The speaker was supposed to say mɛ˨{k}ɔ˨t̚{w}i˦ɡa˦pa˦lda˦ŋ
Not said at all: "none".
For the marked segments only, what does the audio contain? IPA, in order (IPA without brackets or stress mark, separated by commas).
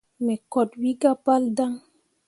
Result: k, w